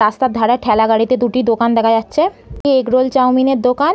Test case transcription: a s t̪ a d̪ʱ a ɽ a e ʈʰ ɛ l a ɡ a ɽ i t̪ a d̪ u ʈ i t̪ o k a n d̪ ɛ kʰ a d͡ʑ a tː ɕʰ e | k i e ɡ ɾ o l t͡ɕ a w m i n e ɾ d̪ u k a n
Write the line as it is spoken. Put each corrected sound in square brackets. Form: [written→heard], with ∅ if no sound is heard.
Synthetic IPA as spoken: a s t̪ a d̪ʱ a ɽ a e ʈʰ ɛ l a ɡ a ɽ i t̪ [a→e] d̪ u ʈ i [t̪→d̪] o k a n d̪ ɛ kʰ a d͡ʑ a tː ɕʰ e | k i e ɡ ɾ o l t͡ɕ a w m i n e ɾ d̪ [u→o] k a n